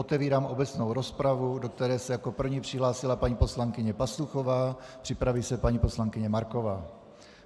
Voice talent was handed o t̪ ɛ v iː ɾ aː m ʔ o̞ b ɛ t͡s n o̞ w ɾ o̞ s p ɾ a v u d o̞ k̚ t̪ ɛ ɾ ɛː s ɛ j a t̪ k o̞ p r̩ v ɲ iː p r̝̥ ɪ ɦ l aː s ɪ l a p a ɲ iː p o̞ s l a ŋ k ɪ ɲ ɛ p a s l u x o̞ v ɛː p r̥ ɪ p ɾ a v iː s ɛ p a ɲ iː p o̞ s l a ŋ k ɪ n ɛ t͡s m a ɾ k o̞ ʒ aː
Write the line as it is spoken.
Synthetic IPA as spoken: o t̪ ɛ v iː ɾ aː m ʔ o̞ b ɛ t͡s n o̞ w ɾ o̞ s p ɾ a v u d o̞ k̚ t̪ ɛ ɾ ɛː s ɛ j a k o̞ p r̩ v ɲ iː p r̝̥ ɪ ɦ l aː s ɪ l a p a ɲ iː p o̞ s l a ŋ k ɪ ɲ ɛ p a s l u x o̞ v aː p r̥ ɪ p ɾ a v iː s ɛ p a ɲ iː p o̞ s l a ŋ k ɪ ɲ ɛ m a ɾ k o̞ v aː